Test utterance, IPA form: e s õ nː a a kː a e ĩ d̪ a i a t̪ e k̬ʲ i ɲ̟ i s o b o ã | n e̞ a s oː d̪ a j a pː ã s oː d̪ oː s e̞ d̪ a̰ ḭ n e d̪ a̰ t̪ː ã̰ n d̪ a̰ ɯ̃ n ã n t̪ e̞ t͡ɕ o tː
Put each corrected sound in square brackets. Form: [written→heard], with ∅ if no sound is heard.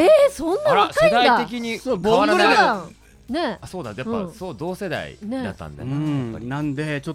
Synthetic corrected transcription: e s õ nː a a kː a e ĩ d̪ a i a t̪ e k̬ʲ i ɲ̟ i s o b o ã | n e̞ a s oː d̪ a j a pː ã s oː d̪ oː s e̞ d̪ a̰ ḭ n e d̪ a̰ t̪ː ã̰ n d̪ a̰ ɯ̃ n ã n [t̪→d̪] e̞ t͡ɕ o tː